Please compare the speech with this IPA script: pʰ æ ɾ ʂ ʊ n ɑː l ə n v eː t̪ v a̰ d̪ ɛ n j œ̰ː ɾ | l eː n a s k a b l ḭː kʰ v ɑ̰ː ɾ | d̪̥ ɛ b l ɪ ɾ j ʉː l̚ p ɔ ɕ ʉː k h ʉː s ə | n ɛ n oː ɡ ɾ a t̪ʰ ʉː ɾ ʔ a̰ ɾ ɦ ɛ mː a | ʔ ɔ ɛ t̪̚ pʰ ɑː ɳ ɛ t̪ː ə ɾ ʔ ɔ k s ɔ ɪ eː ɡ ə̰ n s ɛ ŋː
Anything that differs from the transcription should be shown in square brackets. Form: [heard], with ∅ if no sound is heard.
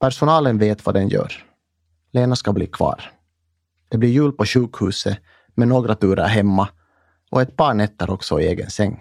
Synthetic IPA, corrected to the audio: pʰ æ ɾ ʂ ʊ n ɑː l ə n v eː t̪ v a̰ d̪ ɛ n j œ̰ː ɾ | l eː n a s k a b l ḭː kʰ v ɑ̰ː ɾ | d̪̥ ɛ b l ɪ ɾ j ʉː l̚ p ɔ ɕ ʉː k h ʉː s ə | [m] ɛ n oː ɡ ɾ a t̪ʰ ʉː ɾ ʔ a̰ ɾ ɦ ɛ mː a | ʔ ɔ ɛ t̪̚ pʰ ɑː ɳ ɛ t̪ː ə ɾ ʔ ɔ k s ɔ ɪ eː ɡ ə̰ n s ɛ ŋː